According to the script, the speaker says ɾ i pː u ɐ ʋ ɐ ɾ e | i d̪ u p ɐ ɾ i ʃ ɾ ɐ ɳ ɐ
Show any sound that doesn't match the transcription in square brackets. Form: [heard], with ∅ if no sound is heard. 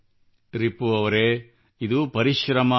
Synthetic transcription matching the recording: ɾ i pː u ɐ ʋ ɐ ɾ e | i d̪ u p ɐ ɾ i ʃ ɾ ɐ [m] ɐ